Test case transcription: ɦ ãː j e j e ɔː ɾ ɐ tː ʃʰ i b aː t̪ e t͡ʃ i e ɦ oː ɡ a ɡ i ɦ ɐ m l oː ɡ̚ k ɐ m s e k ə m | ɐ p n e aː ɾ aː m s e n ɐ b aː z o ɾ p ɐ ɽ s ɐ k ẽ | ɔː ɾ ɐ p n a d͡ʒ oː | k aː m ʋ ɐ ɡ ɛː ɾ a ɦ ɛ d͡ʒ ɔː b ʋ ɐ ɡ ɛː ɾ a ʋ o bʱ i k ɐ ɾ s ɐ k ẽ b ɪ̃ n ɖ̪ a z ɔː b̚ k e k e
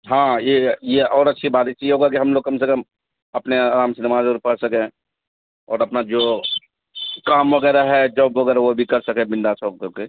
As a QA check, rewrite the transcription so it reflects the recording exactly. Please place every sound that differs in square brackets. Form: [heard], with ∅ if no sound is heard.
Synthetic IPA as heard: ɦ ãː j e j e ɔː ɾ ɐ tː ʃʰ i b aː t̪ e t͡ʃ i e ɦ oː ɡ a [k] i ɦ ɐ m l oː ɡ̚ k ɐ m s e k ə m | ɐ p n e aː ɾ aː m s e n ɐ [m] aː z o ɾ p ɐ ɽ s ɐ k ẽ | ɔː ɾ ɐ p n a d͡ʒ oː | k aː m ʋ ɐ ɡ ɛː ɾ a ɦ ɛ d͡ʒ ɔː b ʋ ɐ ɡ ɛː ɾ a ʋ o bʱ i k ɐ ɾ s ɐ k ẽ b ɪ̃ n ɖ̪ a [s] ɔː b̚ k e k e